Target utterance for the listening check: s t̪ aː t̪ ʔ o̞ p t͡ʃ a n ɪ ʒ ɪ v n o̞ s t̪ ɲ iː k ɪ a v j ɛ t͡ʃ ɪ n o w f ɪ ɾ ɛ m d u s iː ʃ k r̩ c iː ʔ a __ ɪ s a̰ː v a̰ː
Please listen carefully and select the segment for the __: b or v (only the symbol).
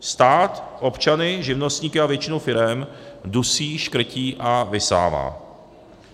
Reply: v